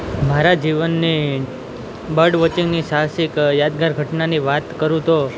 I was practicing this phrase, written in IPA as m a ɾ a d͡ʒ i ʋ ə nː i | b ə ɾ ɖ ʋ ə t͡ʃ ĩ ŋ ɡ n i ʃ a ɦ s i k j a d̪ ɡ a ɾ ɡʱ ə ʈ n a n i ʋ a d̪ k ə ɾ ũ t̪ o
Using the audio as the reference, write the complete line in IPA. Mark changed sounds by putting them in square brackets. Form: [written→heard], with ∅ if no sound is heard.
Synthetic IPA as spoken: m a ɾ a d͡ʒ i ʋ ə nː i | b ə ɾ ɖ ʋ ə t͡ʃ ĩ ŋ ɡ n i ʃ a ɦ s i k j a d̪ ɡ a ɾ ɡʱ ə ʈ n a n i ʋ a [d̪→t̪] k ə ɾ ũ t̪ o